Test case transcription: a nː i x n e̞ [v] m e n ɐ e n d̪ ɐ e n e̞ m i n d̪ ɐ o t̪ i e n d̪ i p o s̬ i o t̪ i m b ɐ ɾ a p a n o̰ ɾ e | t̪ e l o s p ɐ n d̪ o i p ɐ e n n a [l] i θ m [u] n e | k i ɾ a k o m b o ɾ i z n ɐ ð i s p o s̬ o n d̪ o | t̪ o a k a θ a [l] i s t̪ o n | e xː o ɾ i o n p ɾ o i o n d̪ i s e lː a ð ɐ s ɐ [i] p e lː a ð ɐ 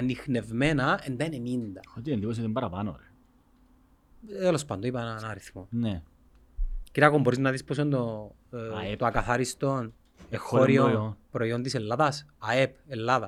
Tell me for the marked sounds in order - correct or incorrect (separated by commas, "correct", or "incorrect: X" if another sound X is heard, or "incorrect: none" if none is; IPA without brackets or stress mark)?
correct, incorrect: ɾ, incorrect: o, incorrect: ɾ, incorrect: e